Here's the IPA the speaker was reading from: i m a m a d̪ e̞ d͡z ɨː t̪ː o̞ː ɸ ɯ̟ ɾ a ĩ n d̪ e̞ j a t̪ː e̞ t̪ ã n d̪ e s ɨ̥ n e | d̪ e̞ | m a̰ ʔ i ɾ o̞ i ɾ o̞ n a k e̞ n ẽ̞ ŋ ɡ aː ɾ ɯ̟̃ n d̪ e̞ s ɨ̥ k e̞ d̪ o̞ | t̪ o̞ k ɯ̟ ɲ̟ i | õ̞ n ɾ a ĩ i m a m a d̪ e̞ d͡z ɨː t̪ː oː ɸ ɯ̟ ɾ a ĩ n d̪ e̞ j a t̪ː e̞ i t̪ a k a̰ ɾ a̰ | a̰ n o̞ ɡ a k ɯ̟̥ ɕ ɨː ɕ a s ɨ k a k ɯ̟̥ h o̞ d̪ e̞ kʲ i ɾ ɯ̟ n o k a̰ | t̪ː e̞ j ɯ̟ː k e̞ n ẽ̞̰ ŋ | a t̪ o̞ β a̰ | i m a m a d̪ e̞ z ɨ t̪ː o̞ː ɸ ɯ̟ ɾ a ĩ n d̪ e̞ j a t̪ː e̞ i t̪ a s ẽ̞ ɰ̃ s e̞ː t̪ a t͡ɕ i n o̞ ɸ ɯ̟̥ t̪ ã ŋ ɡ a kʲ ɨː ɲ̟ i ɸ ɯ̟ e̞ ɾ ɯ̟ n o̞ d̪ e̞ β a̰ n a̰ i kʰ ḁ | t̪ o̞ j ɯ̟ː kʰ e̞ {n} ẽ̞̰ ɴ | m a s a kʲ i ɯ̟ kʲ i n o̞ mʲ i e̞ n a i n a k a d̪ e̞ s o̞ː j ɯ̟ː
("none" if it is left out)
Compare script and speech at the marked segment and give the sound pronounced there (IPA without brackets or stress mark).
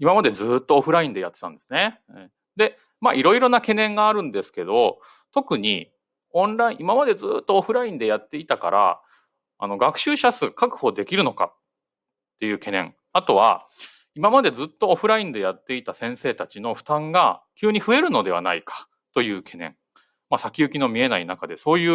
n